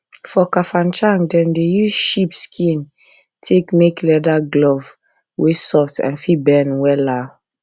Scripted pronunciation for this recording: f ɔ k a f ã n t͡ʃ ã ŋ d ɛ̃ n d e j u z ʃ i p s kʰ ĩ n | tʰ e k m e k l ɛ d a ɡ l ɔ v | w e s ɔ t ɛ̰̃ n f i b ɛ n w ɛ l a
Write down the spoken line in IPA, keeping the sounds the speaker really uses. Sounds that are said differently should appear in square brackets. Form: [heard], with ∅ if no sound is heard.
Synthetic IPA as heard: f ɔ k a f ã n t͡ʃ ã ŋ d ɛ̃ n d e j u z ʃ i p s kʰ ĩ n | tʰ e k m e k l ɛ d a ɡ l ɔ v | w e s ɔ t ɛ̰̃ n f i b ɛ n w ɛ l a